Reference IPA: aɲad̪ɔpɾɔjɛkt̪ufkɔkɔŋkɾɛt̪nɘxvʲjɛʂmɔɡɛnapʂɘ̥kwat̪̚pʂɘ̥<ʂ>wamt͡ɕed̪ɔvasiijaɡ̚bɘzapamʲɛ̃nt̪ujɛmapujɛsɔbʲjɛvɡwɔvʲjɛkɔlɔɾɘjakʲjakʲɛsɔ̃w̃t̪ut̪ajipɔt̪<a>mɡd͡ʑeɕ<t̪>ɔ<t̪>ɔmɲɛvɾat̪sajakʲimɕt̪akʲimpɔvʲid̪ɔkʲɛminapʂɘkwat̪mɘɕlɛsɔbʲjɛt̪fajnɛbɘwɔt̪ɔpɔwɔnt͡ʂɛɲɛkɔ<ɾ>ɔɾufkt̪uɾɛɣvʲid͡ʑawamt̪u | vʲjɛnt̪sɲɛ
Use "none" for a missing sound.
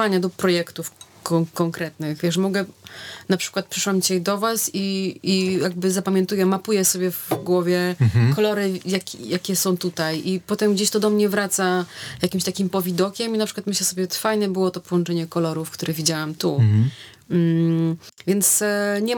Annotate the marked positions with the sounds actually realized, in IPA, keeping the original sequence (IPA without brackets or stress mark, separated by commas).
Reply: ʂ, ɛ, t̪, d̪, l